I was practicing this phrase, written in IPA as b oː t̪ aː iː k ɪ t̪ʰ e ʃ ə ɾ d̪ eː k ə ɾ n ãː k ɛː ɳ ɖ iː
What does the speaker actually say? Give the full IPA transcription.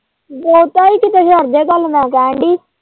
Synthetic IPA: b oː t̪ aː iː k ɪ t̪ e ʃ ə ɾ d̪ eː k ə l n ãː k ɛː ɳ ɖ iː